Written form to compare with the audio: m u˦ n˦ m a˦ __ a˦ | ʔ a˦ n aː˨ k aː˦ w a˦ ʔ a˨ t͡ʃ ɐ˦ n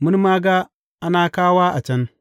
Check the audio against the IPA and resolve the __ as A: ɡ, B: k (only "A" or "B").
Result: A